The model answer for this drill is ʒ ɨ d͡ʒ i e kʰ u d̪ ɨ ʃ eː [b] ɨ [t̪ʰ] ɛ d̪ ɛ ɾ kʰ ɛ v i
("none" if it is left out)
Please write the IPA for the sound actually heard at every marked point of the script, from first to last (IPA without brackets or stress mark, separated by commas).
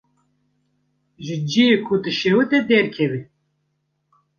w, t̪